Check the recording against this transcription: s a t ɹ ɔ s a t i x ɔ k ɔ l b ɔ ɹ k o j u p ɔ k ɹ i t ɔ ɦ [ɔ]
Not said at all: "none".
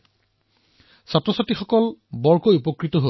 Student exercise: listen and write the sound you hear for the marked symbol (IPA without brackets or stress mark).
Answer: o